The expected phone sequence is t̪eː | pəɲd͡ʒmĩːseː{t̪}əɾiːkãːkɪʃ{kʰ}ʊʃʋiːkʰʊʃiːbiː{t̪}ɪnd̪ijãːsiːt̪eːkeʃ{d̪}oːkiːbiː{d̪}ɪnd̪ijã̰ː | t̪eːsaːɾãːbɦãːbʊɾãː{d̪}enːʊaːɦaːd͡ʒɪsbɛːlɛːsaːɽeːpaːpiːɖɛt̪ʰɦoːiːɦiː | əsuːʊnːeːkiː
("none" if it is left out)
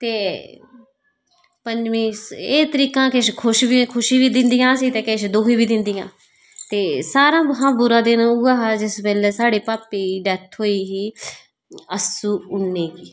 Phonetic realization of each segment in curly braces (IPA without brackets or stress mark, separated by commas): t̪, kʰ, d̪, d̪, d̪, d̪